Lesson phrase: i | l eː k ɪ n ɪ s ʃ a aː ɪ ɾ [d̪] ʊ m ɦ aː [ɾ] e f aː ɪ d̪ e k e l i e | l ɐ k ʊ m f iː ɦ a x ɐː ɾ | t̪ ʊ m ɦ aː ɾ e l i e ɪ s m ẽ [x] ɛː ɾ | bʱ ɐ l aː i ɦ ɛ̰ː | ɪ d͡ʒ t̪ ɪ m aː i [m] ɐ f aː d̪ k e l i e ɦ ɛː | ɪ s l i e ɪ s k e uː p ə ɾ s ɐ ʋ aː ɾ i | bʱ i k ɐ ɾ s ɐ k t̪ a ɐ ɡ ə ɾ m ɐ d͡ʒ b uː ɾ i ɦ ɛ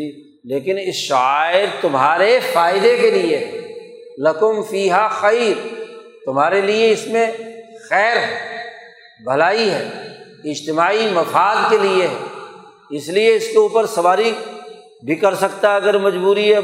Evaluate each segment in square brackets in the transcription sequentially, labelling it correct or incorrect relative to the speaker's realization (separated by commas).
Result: incorrect, correct, correct, correct